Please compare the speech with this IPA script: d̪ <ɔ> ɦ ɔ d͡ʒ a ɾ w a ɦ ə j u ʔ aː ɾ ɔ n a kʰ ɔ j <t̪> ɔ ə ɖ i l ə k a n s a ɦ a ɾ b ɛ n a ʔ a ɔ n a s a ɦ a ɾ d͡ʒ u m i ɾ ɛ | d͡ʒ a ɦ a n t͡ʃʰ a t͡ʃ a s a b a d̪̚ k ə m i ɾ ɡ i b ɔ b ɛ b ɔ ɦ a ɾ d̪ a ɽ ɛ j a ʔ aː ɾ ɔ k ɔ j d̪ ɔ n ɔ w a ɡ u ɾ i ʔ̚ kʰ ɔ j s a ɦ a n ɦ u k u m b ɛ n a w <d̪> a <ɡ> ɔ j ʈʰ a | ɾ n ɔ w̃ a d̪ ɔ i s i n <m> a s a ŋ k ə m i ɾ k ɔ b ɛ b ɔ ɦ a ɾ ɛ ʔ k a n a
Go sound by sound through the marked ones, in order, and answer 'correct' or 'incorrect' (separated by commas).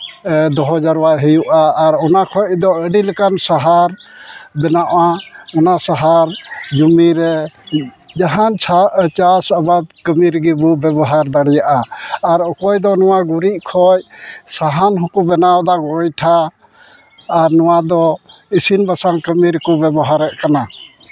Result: correct, incorrect, correct, correct, incorrect